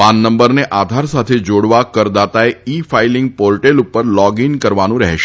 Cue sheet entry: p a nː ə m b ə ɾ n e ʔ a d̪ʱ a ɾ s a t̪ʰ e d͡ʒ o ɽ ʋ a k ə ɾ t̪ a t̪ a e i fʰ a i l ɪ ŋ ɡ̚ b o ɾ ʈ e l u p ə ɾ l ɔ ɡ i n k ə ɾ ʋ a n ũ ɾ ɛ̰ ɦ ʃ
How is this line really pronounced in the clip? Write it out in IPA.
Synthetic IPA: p a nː ə m b ə ɾ n e ʔ a d̪ʱ a ɾ s a t̪ʰ e d͡ʒ o ɽ ʋ a k ə ɾ d̪ a t̪ a e i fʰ a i l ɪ ŋ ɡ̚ p o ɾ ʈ e l u p ə ɾ l ɔ ɡ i n k ə ɾ ʋ a n ũ ɾ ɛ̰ ɦ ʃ